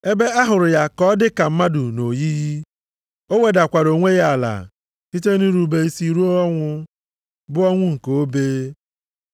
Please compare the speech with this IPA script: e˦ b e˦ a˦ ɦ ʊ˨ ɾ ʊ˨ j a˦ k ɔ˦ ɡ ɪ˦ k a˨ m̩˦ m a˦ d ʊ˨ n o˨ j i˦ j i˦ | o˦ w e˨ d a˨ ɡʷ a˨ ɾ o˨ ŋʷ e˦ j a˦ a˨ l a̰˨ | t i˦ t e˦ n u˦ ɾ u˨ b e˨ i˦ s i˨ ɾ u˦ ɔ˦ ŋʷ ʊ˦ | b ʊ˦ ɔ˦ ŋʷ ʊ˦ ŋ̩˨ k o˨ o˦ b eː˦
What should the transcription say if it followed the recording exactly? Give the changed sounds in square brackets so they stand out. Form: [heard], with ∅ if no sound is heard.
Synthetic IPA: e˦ b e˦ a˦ ɦ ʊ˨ ɾ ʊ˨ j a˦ k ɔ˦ [d] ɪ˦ k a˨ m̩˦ m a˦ d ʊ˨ n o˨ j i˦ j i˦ | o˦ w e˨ d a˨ [kʷ] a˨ ɾ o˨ ŋʷ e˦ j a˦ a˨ l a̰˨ | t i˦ t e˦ n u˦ ɾ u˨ b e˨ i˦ s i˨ ɾ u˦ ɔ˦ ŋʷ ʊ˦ | b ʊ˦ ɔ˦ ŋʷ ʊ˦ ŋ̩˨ k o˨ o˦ b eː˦